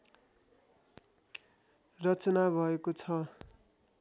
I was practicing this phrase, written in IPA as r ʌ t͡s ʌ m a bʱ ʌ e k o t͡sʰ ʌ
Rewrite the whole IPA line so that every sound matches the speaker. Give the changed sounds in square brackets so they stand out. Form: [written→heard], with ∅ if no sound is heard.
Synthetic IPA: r ʌ t͡s ʌ [m→n] a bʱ ʌ e k o t͡sʰ ʌ